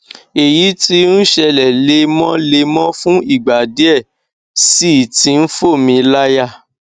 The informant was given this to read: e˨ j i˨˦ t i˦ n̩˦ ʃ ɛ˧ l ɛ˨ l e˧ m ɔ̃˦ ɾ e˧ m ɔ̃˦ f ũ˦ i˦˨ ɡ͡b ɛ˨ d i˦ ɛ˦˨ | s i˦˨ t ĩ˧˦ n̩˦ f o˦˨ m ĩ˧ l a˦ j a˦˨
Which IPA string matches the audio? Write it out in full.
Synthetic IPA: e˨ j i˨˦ t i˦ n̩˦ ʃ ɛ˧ l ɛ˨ l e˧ m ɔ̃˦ l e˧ m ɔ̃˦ f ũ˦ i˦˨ ɡ͡b a˨ d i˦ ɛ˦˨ | s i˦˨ t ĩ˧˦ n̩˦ f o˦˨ m ĩ˧ l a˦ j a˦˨